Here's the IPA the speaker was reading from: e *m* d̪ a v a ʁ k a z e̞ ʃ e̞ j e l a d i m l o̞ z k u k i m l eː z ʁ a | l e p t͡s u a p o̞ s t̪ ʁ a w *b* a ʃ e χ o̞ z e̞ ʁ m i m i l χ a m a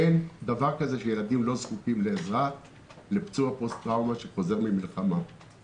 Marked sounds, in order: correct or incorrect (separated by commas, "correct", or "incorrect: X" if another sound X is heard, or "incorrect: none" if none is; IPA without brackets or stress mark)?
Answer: incorrect: n, incorrect: m